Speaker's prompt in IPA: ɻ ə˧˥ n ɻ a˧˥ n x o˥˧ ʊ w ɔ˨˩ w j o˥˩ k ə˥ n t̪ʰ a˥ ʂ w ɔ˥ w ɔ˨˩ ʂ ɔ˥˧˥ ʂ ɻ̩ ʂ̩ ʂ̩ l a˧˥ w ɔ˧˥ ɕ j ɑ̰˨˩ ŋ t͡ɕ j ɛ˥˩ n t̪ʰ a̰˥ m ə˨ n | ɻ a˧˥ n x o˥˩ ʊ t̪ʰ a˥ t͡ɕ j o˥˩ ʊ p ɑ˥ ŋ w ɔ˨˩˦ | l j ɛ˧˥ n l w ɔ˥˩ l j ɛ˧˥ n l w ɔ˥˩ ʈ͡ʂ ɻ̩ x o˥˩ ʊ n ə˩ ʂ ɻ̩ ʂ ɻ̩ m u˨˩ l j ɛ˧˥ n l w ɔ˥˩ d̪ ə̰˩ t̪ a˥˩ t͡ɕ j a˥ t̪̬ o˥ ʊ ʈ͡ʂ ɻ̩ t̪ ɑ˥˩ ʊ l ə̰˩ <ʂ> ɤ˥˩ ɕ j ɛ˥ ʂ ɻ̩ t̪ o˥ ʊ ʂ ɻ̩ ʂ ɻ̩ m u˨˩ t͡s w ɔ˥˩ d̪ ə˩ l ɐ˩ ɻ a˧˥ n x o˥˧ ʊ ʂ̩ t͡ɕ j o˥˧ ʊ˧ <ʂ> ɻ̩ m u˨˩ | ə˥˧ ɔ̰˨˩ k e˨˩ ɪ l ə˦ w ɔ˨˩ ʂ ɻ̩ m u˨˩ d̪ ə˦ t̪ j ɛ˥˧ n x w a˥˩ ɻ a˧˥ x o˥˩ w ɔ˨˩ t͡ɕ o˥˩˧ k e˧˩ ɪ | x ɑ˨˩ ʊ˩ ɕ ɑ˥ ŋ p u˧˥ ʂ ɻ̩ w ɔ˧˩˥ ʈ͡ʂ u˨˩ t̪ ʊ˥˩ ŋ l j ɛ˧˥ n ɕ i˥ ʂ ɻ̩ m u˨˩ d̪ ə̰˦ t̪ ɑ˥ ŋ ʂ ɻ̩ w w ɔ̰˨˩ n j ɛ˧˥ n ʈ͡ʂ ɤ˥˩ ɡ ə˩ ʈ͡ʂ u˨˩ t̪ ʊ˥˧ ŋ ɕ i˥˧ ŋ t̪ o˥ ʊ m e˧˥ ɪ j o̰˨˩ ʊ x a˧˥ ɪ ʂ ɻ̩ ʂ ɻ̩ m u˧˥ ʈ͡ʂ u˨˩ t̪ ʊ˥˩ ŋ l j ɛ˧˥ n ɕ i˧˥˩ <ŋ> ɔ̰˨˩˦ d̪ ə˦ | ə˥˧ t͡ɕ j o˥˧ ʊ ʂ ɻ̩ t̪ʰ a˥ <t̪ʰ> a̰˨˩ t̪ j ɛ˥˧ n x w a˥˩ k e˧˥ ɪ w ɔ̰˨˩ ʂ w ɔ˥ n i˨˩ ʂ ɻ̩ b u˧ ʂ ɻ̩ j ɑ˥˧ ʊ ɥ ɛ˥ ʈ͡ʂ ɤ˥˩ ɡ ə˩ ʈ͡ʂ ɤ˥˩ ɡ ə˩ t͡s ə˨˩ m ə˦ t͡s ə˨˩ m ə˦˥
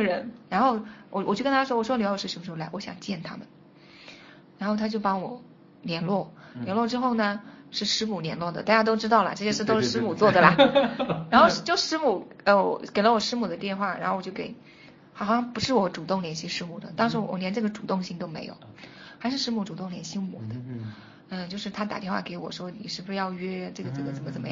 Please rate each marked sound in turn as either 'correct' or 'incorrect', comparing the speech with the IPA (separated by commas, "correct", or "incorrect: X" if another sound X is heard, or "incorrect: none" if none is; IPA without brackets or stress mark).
incorrect: ʈ͡ʂ, correct, incorrect: m, incorrect: t̪